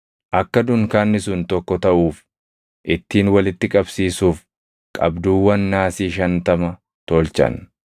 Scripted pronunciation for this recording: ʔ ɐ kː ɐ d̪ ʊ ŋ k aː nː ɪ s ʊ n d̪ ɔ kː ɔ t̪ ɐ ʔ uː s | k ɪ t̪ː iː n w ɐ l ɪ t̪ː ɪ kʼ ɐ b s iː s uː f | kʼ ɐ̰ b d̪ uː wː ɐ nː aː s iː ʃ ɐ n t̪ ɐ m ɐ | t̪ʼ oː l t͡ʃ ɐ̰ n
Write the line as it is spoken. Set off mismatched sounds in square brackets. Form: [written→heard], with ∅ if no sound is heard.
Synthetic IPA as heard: ʔ ɐ kː ɐ d̪ ʊ ŋ k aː nː ɪ s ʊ n [d̪→t̪] ɔ kː ɔ t̪ ɐ ʔ uː [s→f] | [k→ʔ] ɪ t̪ː iː n w ɐ l ɪ t̪ː ɪ kʼ ɐ b s iː s uː f | kʼ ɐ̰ b d̪ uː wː ɐ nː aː s iː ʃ ɐ n t̪ ɐ m ɐ | [t̪ʼ→t̪] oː l t͡ʃ ɐ̰ n